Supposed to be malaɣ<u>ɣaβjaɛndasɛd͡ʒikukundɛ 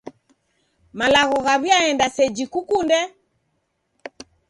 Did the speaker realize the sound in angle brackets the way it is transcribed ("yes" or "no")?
no